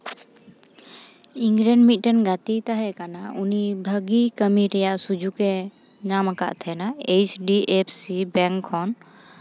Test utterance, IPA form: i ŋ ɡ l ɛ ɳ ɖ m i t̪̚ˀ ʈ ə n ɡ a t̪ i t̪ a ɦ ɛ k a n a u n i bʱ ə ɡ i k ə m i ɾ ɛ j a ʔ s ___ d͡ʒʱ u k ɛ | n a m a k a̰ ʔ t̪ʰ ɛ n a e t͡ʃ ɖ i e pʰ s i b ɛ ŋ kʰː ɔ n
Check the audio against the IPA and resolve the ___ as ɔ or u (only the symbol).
u